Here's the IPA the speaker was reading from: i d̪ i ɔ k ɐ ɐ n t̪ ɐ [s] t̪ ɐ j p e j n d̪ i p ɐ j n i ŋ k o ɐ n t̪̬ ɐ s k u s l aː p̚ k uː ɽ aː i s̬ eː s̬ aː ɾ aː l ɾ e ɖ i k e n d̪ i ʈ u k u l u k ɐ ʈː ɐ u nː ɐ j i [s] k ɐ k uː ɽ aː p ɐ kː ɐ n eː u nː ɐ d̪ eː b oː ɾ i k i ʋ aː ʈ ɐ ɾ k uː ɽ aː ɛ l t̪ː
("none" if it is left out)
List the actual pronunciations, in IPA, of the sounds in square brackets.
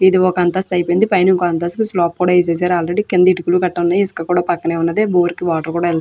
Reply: s, s

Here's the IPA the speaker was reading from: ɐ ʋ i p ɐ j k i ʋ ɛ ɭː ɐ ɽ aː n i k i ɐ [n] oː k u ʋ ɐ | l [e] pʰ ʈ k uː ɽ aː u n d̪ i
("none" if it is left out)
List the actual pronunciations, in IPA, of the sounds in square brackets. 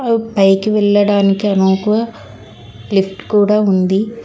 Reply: n, i

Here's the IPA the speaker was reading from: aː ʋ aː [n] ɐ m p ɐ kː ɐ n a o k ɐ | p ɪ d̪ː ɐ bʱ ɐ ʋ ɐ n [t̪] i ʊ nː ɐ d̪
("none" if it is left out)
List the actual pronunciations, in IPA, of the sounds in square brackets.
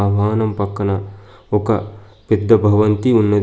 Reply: n, t̪

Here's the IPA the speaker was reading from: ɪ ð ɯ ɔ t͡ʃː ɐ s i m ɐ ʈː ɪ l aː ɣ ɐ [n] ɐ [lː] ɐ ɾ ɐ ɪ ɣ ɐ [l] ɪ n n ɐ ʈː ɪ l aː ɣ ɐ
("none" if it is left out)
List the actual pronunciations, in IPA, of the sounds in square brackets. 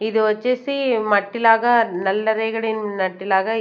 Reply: n, lː, ɭ

